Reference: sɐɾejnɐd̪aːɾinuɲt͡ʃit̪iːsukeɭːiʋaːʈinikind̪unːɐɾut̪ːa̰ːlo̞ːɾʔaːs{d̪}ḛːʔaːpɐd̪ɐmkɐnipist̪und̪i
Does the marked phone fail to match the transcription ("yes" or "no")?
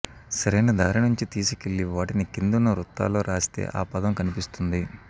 yes